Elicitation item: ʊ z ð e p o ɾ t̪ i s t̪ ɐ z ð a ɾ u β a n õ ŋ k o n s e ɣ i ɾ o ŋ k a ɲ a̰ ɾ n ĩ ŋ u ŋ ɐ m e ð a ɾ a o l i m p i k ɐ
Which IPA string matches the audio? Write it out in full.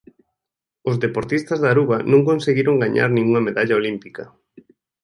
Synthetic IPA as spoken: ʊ z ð e p o ɾ t̪ i s t̪ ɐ z ð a ɾ u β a n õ ŋ k o n s e ɣ i ɾ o ŋ ɡ a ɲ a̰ ɾ n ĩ ŋ u ŋ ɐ m e ð a ʎ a o l i m p i k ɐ